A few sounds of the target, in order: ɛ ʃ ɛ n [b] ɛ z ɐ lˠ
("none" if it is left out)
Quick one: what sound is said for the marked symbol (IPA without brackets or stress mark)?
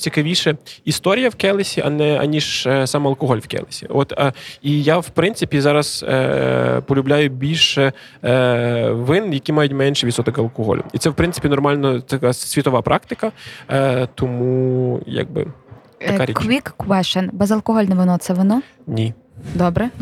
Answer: b